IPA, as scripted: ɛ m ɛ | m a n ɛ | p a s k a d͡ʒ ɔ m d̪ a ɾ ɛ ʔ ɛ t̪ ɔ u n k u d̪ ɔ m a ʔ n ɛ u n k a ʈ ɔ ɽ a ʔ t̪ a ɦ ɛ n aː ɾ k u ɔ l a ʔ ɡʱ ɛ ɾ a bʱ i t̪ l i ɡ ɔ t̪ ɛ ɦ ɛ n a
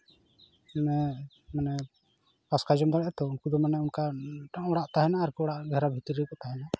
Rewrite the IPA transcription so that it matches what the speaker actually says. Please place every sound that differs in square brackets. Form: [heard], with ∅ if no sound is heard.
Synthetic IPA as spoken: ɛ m ɛ | m a n ɛ | p a s k a d͡ʒ ɔ m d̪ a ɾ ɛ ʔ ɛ t̪ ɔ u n k u d̪ ɔ m a [∅] n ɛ u n k a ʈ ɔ ɽ a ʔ t̪ a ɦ ɛ n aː ɾ k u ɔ [ɽ] a ʔ ɡʱ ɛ ɾ a bʱ i t̪ [ɾ] i [k] ɔ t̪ [a] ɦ ɛ n a